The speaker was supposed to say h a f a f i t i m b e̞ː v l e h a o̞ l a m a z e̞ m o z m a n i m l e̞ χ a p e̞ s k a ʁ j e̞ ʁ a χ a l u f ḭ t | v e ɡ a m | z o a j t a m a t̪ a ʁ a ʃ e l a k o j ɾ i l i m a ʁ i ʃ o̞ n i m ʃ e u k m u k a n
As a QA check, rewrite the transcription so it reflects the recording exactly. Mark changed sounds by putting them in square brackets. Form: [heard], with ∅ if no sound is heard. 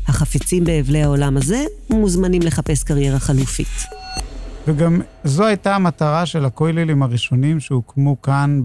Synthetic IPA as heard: h a [χ] a f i [t͡s] i m b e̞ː v l e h a o̞ l a m a z e̞ m [u] z m a n i m l e̞ χ a p e̞ s k a ʁ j e̞ ʁ a χ a l u f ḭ t | v e ɡ a m | z o a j t a m a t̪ a ʁ a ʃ e l a k o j [l] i l i m a ʁ i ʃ o̞ n i m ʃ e u k m u k a n